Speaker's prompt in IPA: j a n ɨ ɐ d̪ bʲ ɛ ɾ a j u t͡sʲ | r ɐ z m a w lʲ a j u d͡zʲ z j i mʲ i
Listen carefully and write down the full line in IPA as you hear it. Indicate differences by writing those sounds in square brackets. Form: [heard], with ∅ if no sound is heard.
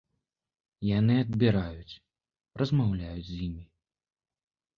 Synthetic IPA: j a n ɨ ɐ d̪ bʲ [i] ɾ a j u t͡sʲ | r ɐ z m a w lʲ a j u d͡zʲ z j i mʲ i